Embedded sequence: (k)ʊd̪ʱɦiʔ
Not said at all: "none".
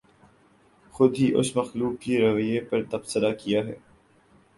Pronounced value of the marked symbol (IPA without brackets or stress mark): x